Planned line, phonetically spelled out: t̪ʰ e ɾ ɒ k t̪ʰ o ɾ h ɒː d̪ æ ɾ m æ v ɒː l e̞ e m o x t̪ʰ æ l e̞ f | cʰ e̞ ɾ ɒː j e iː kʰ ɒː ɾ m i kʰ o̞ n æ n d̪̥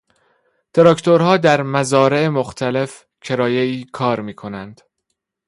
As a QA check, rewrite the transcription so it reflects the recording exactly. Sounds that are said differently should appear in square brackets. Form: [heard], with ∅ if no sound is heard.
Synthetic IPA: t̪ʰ e ɾ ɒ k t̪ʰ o ɾ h ɒː d̪ æ ɾ m æ [z] ɒː [ɾ] e̞ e m o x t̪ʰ æ l e̞ f | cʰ e̞ ɾ ɒː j e iː kʰ ɒː ɾ m [iː] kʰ o̞ n æ n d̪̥